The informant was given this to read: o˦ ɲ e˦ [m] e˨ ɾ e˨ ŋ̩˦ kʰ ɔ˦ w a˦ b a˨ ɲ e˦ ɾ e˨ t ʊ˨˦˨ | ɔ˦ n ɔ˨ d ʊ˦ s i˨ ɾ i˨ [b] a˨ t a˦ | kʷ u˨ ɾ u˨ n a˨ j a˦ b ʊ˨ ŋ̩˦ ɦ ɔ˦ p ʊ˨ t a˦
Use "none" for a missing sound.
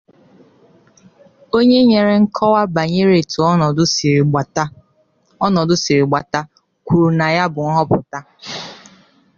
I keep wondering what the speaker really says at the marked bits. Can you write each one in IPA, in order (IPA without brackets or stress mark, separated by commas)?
ɲ, ɡ͡b